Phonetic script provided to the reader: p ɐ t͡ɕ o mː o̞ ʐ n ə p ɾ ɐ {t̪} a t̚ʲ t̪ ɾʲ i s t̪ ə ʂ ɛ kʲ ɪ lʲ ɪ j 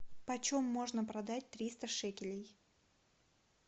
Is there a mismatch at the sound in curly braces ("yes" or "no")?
yes